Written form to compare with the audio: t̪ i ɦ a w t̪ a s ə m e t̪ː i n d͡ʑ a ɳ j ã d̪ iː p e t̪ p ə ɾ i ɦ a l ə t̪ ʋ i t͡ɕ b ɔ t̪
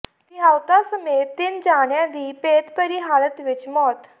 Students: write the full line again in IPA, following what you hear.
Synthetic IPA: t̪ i ɦ a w t̪ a s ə m e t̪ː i n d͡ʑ a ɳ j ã d̪ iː p e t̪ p ə ɾ i ɦ a l ə t̪ ʋ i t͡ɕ m ɔ t̪